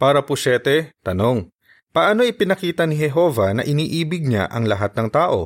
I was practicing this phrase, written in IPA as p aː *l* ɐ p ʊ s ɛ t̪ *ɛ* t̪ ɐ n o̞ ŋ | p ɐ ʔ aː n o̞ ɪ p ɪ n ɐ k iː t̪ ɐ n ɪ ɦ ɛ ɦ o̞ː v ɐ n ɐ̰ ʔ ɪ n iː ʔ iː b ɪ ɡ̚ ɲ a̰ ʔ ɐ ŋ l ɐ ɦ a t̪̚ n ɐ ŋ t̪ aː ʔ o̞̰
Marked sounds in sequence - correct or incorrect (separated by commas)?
incorrect, correct